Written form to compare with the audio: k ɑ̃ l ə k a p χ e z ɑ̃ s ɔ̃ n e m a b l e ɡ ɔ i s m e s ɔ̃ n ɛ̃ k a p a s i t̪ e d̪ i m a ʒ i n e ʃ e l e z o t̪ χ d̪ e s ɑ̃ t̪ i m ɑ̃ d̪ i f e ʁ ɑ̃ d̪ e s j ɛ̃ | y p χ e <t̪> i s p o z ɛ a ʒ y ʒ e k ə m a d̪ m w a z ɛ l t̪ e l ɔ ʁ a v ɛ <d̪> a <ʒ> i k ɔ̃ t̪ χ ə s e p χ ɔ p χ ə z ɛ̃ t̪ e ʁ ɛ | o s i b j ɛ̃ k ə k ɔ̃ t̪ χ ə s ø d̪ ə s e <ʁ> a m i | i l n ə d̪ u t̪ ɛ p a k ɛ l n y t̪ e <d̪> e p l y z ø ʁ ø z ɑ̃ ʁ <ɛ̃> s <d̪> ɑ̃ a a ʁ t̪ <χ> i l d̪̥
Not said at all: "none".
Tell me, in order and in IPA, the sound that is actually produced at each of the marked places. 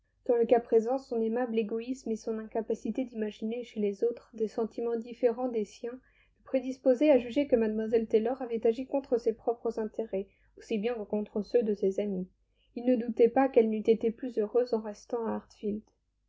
d̪, t̪, ʒ, z, t̪, ɛ, t̪, f

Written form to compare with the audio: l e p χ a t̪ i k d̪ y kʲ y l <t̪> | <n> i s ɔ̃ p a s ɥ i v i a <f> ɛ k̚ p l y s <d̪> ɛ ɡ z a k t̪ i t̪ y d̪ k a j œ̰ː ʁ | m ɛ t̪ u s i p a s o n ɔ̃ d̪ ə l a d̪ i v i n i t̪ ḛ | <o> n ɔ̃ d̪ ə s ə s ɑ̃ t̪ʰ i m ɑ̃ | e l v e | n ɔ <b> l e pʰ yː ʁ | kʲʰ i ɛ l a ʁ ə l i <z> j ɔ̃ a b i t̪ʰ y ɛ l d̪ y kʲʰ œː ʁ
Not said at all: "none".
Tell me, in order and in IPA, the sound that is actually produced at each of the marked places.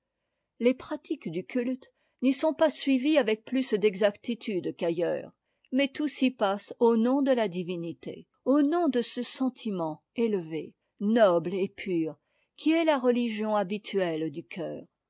t̪, n, v, d̪, o, b, ʒ

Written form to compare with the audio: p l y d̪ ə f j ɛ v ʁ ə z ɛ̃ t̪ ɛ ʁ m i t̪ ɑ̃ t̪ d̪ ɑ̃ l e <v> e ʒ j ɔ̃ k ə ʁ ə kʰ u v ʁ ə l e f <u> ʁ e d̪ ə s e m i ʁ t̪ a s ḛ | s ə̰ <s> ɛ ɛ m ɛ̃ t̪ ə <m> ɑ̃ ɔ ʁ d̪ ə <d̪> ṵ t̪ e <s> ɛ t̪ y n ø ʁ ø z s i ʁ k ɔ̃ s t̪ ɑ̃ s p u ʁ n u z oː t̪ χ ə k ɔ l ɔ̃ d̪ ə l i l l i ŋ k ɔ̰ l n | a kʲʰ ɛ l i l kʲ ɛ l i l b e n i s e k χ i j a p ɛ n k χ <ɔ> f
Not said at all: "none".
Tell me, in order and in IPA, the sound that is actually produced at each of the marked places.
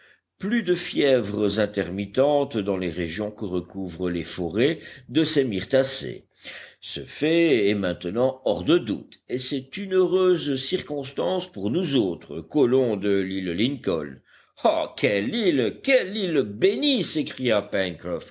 ʁ, ɔ, f, n, d̪, s, ɔ

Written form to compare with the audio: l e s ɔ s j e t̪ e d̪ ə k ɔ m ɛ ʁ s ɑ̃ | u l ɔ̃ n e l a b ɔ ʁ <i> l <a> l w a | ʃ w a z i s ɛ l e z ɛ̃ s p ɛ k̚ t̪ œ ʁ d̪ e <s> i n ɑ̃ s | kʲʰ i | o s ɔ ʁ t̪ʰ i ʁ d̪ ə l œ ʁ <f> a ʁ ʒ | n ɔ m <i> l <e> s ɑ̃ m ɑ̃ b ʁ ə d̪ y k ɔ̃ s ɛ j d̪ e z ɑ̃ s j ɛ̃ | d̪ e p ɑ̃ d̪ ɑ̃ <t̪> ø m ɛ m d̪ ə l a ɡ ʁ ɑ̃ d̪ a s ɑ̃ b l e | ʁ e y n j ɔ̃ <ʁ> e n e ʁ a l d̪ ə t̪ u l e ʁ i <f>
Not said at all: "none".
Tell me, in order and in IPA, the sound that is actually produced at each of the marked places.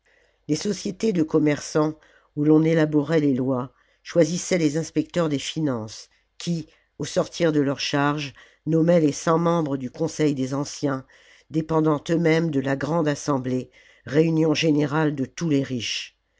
ɛ, e, f, ʃ, ɛ, e, t̪, ʒ, ʃ

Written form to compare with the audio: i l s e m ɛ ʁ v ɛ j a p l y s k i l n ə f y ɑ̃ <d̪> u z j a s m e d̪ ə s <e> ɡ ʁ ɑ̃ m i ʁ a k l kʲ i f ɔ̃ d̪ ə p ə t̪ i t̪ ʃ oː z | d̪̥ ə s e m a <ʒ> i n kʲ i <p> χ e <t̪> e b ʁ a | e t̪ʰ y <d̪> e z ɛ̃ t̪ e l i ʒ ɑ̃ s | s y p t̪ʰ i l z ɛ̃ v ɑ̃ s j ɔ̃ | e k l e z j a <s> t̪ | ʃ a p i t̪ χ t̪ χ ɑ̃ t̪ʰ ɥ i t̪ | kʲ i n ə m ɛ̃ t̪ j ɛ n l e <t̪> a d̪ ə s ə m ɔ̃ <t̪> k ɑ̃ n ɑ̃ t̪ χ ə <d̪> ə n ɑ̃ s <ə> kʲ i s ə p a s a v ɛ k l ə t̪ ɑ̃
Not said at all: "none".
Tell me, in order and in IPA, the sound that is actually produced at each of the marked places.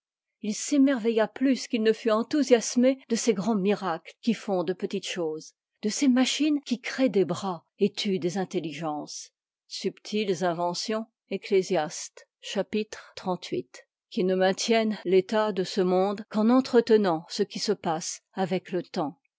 t̪, e, ʃ, k, d̪, d̪, s, t̪, d̪, t̪, ə

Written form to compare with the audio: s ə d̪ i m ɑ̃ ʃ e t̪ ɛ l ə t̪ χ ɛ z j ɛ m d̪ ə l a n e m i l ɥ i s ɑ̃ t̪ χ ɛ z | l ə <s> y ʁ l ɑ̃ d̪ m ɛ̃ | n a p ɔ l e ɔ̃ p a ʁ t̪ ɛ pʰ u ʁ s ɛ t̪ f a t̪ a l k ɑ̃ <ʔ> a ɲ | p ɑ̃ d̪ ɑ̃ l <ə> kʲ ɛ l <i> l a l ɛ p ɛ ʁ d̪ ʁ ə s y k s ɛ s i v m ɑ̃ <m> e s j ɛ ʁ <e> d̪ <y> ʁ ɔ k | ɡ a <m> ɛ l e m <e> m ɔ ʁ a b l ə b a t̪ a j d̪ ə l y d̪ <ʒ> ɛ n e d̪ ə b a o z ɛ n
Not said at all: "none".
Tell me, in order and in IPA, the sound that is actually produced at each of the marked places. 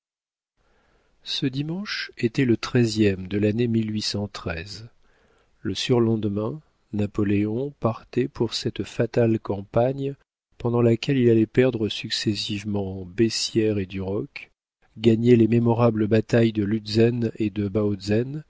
s, p, a, i, b, e, y, ɲ, e, z

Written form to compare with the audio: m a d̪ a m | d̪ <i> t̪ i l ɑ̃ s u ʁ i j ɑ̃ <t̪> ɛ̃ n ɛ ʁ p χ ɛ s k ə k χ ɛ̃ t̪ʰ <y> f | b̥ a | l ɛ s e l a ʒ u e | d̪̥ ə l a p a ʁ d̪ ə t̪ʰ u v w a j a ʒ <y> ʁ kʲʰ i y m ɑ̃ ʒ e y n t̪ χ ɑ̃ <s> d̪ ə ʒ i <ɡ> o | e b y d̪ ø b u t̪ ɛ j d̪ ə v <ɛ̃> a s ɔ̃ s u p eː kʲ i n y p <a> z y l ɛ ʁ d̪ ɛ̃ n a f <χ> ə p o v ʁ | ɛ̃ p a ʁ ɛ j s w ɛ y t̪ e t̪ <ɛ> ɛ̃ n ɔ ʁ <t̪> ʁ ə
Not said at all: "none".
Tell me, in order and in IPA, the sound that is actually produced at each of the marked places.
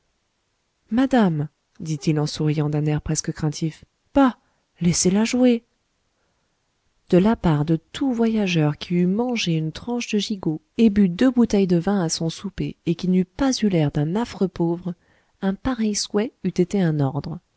i, d̪, i, œ, ʃ, ɡ, ɛ̃, a, χ, e, d̪

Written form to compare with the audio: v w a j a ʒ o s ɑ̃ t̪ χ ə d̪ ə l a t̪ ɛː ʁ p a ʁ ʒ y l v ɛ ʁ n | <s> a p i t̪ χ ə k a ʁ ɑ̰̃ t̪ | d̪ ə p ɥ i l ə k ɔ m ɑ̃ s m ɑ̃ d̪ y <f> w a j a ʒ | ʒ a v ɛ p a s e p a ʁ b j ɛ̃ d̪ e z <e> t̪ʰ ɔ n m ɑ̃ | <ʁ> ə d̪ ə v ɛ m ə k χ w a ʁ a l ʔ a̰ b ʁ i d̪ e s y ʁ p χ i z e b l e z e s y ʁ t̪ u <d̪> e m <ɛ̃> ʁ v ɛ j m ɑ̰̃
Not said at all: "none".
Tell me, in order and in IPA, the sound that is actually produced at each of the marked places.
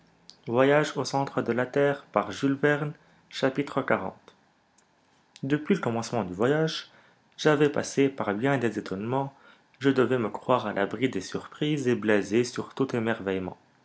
ʃ, v, e, ʒ, t̪, ɛ

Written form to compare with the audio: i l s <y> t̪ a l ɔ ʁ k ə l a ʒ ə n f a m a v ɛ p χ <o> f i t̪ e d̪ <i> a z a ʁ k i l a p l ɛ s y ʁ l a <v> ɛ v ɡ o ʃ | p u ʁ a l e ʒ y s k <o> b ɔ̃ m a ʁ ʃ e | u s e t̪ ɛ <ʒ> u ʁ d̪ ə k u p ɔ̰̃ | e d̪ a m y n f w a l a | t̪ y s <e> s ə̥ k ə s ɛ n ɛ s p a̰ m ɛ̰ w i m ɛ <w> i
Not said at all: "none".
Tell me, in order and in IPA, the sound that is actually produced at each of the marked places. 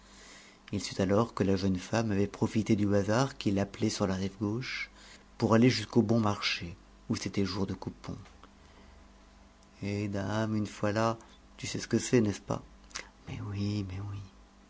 y, ɔ, y, ʁ, o, ʒ, ɛ, w

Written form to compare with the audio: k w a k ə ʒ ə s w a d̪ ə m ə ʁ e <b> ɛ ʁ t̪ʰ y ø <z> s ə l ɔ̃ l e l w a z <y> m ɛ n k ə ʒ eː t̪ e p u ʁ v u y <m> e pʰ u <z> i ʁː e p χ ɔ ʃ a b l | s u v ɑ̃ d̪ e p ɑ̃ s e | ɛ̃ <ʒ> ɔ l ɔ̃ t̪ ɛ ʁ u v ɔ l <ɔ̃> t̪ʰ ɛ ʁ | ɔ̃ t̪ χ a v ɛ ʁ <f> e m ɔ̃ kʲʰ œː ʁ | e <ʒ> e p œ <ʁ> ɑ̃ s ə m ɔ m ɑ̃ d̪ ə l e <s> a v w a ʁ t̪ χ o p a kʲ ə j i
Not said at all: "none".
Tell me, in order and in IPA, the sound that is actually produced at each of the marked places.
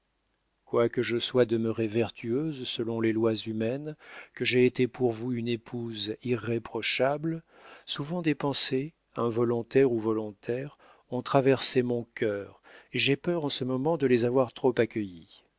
v, z, y, n, z, v, ɔ̃, s, ʒ, ʁ, z

